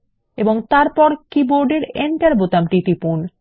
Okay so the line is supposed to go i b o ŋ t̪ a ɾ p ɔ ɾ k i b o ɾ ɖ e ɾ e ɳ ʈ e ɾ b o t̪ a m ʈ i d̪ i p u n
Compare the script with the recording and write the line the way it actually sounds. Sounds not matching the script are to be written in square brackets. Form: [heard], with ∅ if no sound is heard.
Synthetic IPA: [e] b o ŋ t̪ a ɾ p ɔ ɾ k i b o ɾ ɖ e ɾ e ɳ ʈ [a] ɾ b o t̪ a m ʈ i [t̪] i p u n